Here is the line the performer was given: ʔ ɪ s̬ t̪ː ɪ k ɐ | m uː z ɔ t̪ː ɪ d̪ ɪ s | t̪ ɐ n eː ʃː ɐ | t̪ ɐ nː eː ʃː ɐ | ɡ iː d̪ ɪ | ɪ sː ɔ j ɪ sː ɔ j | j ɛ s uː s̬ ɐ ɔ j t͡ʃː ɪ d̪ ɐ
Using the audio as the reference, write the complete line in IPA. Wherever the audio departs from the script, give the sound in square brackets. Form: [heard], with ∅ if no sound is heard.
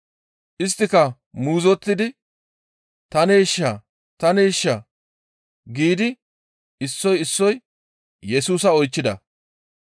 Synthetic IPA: ʔ ɪ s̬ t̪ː ɪ k ɐ | m uː z ɔ t̪ː ɪ d̪ ɪ [∅] | t̪ ɐ n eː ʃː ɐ | t̪ ɐ [n] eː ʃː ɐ | ɡ iː d̪ ɪ | ɪ sː ɔ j ɪ sː ɔ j | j ɛ s uː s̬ ɐ ɔ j t͡ʃː ɪ d̪ ɐ